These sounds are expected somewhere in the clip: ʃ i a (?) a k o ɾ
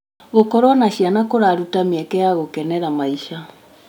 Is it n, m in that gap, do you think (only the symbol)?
n